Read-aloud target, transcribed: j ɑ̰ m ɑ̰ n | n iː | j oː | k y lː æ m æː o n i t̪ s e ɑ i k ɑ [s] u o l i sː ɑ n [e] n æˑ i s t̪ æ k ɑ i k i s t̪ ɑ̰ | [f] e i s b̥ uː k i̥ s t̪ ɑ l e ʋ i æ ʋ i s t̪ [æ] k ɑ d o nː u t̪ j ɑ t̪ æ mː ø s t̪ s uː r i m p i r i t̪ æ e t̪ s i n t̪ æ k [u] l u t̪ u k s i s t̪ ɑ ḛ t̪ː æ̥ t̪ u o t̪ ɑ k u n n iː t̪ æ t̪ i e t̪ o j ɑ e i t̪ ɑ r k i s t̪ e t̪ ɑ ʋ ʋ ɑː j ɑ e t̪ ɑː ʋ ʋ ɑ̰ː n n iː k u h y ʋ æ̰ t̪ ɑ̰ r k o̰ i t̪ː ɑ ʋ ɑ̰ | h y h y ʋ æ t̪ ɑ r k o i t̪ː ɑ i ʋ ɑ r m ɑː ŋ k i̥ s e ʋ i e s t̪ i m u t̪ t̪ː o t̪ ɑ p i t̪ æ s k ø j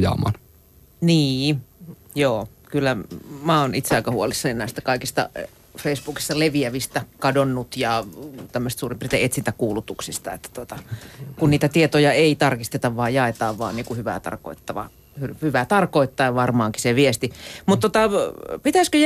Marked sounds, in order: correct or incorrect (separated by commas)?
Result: incorrect, incorrect, correct, correct, incorrect